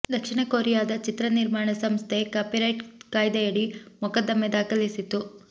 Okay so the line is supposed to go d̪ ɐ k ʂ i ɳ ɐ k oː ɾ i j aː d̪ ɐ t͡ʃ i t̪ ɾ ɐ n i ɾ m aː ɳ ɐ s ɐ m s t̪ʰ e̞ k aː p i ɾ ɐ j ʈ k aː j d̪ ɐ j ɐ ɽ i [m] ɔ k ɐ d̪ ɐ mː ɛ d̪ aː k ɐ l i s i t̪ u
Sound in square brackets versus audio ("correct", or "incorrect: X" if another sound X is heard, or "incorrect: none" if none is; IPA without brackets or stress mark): correct